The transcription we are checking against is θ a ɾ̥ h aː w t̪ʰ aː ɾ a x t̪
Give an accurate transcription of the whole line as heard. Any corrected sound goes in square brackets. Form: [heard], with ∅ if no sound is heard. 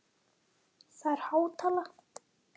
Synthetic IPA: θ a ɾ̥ h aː w t̪ʰ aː [l] a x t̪